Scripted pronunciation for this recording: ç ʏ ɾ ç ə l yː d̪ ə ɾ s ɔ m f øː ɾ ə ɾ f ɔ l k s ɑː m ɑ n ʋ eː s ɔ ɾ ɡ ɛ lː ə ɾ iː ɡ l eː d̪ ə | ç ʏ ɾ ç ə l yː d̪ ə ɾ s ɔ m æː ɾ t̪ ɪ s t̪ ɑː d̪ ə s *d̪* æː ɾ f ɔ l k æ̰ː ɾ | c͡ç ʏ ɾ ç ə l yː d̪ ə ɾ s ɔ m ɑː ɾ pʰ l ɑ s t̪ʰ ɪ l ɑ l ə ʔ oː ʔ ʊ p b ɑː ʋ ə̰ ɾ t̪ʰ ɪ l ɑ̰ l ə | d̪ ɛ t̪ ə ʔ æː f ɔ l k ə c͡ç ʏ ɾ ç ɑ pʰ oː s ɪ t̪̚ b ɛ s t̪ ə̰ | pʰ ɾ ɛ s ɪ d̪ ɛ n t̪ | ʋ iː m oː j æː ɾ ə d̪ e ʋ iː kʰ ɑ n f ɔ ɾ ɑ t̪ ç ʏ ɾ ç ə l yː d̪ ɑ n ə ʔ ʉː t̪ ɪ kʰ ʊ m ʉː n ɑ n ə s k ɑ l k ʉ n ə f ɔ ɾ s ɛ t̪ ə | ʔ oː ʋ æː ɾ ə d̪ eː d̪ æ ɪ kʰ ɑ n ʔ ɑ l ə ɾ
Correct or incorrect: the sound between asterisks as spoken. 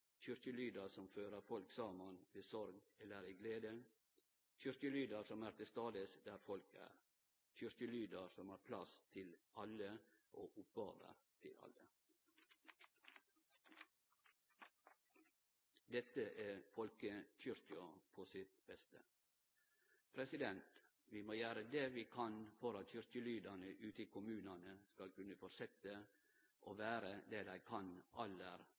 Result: correct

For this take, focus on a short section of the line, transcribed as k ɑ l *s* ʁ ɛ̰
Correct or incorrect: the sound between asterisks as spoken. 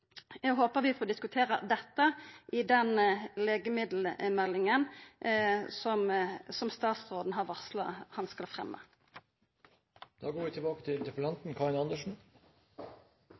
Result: incorrect: f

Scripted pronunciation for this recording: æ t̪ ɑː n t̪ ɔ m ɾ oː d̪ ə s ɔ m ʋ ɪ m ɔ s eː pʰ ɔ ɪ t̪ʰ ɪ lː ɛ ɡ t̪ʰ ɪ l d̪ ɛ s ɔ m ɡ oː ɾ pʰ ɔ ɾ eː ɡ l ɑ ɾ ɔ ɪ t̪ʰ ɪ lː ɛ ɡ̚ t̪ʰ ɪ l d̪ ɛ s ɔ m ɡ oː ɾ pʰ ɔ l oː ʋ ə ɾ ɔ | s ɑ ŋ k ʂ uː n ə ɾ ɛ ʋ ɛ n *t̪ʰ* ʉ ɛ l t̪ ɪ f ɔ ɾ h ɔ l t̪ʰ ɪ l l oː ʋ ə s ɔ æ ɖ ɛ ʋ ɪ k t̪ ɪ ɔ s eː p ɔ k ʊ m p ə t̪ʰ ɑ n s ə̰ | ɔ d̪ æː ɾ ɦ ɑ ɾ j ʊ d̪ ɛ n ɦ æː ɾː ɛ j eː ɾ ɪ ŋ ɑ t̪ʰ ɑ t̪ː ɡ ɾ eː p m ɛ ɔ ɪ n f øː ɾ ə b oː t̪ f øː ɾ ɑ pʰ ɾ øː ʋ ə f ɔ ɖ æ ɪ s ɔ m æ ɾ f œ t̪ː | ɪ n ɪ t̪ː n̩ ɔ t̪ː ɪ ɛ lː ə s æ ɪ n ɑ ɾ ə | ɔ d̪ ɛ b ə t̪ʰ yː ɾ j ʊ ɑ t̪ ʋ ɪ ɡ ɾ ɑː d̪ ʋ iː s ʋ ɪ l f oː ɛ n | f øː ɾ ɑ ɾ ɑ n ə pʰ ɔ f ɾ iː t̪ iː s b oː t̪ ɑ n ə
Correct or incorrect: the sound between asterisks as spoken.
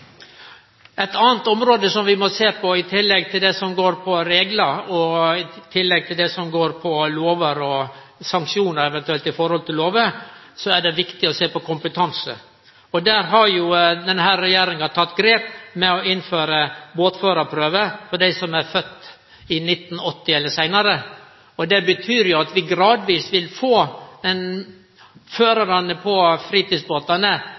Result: incorrect: t̪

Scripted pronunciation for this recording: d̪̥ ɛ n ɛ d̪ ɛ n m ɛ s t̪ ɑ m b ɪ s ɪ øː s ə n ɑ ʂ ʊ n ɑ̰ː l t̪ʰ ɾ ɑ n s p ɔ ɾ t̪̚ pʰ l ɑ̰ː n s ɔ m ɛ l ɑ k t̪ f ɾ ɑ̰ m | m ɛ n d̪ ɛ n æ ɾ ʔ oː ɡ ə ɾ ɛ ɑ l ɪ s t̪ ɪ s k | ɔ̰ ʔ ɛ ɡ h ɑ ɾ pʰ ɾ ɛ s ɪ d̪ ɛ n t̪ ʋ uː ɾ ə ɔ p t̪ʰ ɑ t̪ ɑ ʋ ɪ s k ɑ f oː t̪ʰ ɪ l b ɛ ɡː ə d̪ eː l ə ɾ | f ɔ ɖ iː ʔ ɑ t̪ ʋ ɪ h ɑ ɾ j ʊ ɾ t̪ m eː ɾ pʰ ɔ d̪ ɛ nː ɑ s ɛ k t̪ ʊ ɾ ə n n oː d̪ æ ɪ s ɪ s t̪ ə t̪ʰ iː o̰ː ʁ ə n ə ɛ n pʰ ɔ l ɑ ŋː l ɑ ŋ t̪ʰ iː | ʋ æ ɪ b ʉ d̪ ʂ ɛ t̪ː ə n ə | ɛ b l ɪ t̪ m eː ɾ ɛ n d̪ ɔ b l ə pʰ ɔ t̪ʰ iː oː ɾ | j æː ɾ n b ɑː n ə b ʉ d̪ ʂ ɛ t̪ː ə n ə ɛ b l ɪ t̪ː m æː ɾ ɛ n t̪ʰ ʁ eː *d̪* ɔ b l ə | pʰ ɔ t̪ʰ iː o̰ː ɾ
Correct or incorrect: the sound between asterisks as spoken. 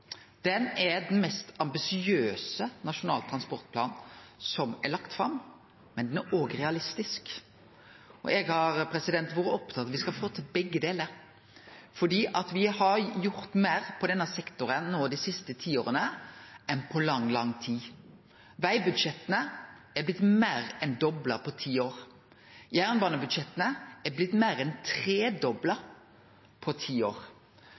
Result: correct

